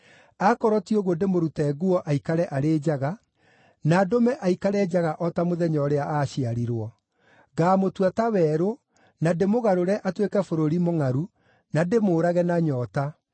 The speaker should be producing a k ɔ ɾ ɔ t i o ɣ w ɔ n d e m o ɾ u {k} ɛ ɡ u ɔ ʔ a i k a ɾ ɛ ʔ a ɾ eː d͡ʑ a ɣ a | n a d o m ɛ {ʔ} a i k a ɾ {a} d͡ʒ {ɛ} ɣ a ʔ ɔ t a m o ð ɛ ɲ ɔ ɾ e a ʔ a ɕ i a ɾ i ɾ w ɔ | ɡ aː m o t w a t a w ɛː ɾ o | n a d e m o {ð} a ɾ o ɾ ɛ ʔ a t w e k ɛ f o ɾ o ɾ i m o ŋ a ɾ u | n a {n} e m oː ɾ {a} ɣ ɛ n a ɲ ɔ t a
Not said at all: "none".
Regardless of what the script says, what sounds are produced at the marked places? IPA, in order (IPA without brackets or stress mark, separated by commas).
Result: t, ʔ, ɛ, a, ɣ, d, a